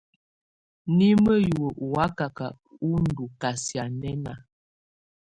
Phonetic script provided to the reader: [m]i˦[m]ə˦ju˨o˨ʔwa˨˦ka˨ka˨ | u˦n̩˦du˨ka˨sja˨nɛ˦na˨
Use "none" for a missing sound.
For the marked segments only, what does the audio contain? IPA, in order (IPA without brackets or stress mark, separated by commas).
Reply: n, m